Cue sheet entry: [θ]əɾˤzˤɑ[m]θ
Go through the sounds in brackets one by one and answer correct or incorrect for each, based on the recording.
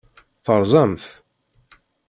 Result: correct, correct

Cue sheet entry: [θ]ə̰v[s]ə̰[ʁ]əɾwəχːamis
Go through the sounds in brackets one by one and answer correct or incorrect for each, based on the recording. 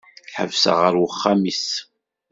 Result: incorrect, correct, correct

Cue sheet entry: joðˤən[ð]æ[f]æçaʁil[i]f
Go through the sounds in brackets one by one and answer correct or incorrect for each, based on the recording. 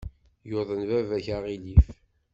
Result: incorrect, incorrect, correct

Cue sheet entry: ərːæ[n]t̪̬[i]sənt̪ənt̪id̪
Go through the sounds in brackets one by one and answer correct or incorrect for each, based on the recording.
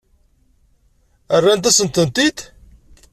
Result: correct, incorrect

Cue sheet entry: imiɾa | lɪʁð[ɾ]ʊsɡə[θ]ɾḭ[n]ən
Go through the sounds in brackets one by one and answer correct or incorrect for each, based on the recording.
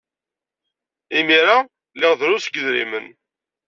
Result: correct, incorrect, incorrect

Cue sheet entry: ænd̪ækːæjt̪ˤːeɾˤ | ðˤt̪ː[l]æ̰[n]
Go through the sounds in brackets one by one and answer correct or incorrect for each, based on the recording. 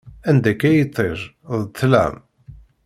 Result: correct, incorrect

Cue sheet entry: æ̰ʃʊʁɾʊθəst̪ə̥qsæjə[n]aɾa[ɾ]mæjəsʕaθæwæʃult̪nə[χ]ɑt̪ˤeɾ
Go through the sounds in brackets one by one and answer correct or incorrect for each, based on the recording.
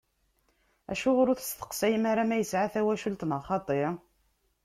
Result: incorrect, incorrect, correct

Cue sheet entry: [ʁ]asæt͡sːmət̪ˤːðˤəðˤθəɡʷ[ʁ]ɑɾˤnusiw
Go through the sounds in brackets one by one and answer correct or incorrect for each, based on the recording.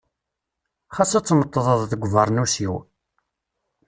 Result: incorrect, incorrect

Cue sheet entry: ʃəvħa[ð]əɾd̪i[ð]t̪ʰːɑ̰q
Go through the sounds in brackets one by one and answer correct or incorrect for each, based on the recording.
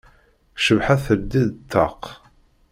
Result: incorrect, correct

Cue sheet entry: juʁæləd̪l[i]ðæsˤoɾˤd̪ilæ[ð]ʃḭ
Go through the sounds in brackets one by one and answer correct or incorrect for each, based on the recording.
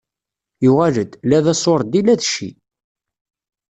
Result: incorrect, correct

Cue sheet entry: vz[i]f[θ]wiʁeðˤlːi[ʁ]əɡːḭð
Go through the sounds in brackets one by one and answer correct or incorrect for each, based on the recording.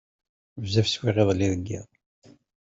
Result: incorrect, incorrect, incorrect

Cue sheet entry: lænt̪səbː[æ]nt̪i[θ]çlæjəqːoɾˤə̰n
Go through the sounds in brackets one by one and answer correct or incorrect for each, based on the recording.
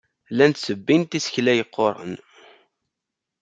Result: incorrect, incorrect

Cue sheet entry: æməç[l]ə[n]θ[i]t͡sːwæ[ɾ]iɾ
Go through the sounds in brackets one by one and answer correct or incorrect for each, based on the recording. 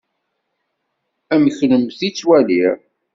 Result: correct, incorrect, correct, incorrect

